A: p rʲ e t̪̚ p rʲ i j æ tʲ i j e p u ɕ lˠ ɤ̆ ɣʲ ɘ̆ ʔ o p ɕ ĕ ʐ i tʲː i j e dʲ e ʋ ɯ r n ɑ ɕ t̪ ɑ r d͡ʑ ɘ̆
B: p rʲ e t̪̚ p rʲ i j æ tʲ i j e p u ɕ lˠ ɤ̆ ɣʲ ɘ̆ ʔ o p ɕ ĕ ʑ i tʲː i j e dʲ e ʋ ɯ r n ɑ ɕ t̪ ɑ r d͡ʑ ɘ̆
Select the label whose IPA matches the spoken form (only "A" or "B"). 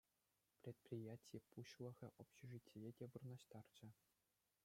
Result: A